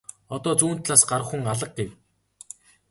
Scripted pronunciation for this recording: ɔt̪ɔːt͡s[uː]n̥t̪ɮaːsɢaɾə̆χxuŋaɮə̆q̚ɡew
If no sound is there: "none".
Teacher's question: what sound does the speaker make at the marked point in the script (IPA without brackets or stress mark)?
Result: uː